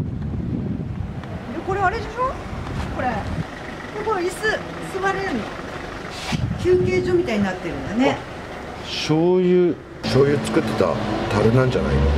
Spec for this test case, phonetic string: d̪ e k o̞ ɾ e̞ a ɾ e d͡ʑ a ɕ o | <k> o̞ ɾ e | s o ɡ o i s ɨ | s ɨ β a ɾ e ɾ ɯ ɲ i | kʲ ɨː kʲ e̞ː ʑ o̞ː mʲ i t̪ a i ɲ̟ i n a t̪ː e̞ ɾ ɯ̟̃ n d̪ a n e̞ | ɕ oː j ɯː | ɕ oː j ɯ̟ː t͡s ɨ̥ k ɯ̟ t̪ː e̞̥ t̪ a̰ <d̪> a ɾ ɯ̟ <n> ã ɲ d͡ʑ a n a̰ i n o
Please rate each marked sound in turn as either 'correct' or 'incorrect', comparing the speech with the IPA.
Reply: correct, incorrect: t̪, correct

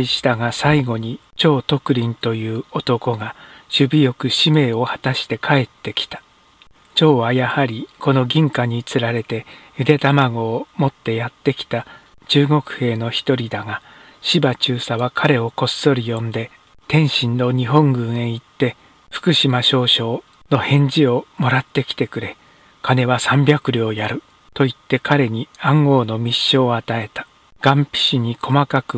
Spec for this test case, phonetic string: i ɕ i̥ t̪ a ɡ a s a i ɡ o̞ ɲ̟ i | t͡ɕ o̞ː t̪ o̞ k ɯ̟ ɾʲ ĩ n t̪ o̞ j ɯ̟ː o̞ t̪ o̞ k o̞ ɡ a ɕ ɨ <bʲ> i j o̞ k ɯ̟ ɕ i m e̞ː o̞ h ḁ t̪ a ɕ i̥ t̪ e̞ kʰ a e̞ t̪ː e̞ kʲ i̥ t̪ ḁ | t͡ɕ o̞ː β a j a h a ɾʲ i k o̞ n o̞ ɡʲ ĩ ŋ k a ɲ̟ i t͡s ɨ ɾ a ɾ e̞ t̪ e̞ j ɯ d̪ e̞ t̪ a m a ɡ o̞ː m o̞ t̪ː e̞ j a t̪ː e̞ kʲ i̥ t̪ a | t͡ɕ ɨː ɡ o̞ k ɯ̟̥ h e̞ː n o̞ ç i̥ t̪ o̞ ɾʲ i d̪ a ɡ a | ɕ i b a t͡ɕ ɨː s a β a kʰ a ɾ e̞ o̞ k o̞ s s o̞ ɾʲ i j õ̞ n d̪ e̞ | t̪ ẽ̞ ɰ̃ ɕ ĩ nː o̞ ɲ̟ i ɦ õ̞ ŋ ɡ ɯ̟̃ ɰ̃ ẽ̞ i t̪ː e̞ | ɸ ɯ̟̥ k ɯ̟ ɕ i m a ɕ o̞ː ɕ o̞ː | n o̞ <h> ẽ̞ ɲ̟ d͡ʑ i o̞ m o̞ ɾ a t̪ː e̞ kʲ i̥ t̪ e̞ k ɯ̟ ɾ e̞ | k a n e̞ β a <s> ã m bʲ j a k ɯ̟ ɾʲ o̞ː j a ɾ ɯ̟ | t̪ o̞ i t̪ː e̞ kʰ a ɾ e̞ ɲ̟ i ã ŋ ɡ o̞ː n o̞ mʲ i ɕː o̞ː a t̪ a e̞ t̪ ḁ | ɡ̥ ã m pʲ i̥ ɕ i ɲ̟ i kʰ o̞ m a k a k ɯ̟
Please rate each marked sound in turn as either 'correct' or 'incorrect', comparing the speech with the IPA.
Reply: correct, correct, correct

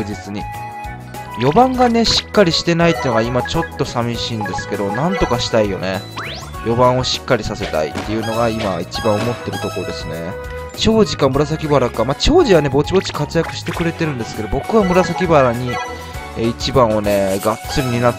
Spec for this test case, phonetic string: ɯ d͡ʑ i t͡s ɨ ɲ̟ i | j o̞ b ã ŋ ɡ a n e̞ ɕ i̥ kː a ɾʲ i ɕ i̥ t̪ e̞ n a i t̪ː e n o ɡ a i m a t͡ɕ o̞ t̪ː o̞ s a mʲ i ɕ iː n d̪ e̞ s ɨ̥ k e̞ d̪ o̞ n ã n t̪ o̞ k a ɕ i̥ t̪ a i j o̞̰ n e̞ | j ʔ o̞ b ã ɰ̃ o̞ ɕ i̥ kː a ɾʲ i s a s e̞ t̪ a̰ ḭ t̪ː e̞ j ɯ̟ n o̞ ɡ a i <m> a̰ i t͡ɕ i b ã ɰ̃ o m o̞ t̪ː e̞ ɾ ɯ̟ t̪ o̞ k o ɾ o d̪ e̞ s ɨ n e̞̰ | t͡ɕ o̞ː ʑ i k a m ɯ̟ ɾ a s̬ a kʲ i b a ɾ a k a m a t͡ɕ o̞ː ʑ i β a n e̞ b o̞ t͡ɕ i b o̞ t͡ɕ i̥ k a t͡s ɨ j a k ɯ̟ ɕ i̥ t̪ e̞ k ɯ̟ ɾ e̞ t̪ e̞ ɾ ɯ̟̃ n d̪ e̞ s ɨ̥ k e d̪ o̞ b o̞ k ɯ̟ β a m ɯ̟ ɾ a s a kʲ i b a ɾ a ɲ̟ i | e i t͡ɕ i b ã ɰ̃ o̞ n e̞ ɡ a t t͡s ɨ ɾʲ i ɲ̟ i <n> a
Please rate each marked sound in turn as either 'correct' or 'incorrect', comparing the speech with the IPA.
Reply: correct, correct

